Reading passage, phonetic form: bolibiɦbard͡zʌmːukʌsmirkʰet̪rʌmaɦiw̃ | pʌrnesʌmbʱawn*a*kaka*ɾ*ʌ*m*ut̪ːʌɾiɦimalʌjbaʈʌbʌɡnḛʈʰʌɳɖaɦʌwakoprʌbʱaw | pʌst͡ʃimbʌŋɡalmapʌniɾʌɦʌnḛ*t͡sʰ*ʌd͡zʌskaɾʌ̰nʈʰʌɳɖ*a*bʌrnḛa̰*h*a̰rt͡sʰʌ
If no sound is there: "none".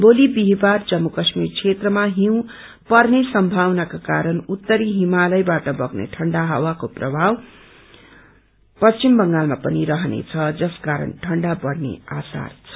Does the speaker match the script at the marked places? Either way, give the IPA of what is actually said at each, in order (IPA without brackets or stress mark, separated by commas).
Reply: a, ɾ, n, t͡sʰ, a, s